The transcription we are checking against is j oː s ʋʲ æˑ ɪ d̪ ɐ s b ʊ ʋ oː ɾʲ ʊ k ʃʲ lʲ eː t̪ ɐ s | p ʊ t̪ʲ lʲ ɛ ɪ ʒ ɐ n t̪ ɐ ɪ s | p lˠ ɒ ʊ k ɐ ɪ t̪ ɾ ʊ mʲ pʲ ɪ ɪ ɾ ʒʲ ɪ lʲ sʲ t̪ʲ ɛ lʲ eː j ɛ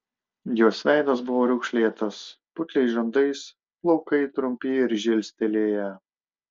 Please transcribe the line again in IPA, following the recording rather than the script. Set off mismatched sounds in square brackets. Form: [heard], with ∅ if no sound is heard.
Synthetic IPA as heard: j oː s ʋʲ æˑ ɪ d̪ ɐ s b ʊ ʋ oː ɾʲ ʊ k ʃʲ lʲ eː t̪ ɐ s | p ʊ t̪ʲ lʲ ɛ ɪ ʒ ɐ n [d̪] ɐ ɪ s | p lˠ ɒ ʊ k ɐ ɪ t̪ ɾ ʊ mʲ pʲ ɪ ɪ ɾ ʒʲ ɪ lʲ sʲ t̪ʲ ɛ lʲ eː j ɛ